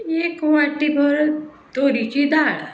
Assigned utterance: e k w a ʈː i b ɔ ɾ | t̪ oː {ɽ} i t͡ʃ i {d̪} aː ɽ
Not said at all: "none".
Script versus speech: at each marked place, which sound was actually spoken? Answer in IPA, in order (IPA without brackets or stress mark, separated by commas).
ɾ, d̪